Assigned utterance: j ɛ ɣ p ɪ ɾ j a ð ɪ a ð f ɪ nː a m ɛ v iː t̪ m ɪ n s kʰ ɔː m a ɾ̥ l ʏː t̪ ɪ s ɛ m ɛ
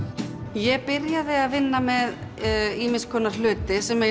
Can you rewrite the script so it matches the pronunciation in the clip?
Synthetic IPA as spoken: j ɛ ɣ p ɪ ɾ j a ð ɪ a ð v ɪ nː a m ɛ ð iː m ɪ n s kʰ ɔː n a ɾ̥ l ʏː t̪ ɪ s ɛ m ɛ